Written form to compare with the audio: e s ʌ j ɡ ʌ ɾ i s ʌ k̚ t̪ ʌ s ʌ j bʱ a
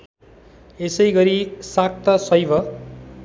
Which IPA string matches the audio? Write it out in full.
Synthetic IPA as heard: e s ʌ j ɡ ʌ ɾ i s a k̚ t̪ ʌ s ʌ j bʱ ʌ